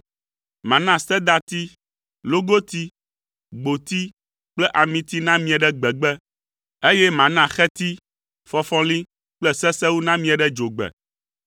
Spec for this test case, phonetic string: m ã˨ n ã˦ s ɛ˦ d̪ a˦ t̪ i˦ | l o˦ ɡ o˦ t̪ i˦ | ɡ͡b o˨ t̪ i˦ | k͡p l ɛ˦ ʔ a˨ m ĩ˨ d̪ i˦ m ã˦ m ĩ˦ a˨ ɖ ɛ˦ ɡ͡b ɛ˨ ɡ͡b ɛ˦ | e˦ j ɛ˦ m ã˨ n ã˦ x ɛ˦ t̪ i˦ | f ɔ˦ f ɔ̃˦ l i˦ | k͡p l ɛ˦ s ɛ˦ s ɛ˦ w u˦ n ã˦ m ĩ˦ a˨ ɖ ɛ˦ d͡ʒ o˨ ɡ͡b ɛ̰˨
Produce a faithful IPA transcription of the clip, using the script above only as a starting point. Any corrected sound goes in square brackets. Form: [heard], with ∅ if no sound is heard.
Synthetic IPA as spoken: m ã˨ n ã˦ s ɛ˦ d̪ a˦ t̪ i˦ | l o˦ ɡ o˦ t̪ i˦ | ɡ͡b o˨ t̪ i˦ | k͡p l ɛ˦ ʔ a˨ m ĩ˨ [t̪] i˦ [n] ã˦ m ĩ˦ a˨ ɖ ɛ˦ ɡ͡b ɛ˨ ɡ͡b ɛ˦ | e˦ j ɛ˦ m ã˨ n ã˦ x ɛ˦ t̪ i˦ | f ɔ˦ f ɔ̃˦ l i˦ | k͡p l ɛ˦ s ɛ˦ s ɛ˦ w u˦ n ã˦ m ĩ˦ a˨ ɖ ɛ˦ d͡ʒ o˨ ɡ͡b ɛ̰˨

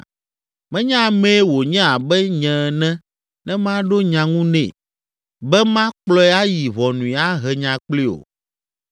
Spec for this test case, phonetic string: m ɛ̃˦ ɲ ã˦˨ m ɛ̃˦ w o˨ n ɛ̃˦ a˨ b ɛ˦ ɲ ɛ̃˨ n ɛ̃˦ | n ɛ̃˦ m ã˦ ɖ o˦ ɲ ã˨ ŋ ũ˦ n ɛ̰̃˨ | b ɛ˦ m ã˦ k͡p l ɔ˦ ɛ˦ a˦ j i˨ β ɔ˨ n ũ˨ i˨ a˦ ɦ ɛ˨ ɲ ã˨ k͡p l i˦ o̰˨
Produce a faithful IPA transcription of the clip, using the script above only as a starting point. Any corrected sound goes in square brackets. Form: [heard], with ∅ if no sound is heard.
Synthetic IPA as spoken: m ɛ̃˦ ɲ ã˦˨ m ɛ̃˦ w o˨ [ɲ] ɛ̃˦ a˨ b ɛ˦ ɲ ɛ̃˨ n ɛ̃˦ | n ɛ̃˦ m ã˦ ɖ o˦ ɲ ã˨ ŋ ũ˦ n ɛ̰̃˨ | b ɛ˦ m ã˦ k͡p l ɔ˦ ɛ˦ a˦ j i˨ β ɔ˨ n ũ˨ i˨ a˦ ɦ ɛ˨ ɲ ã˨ k͡p l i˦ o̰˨

